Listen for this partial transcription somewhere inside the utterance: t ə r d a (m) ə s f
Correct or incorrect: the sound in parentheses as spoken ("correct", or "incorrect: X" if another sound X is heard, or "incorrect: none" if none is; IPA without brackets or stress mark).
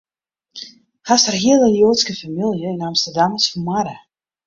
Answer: correct